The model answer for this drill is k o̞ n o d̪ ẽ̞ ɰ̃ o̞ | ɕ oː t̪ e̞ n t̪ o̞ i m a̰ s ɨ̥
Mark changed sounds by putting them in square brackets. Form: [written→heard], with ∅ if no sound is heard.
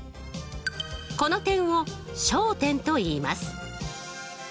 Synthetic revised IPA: k o̞ n o [d̪→t̪] ẽ̞ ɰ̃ o̞ | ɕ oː t̪ [e̞→ẽ̞] n t̪ o̞ [i→iː] m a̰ s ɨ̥